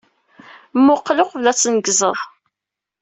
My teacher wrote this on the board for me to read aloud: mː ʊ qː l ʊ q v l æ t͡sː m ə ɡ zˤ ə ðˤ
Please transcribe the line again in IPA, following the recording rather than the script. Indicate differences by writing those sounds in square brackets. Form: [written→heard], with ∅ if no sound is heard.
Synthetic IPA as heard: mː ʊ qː l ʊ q v l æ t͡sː [m→n] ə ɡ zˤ ə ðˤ